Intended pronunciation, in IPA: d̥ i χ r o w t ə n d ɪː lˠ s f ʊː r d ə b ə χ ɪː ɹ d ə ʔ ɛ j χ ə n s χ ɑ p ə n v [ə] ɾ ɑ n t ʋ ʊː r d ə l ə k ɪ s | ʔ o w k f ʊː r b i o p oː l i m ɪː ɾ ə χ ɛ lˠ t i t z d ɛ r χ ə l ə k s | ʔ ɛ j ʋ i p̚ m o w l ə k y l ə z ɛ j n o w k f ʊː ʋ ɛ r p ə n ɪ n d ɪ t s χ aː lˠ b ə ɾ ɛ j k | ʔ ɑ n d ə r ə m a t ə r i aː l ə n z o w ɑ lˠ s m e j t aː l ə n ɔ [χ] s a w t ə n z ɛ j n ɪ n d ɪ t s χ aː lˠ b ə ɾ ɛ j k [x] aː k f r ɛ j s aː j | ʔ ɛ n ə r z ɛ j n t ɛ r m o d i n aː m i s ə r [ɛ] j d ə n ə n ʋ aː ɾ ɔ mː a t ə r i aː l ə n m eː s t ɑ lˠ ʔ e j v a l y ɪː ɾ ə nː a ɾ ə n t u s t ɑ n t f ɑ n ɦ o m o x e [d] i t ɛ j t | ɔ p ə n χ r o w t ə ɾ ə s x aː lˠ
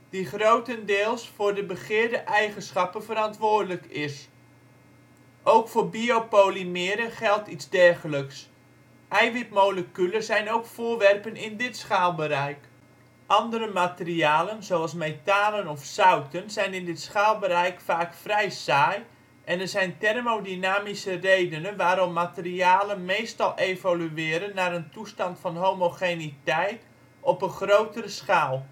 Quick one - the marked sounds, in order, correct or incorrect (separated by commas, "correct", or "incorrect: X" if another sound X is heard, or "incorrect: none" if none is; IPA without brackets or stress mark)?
correct, incorrect: f, incorrect: f, incorrect: e, incorrect: n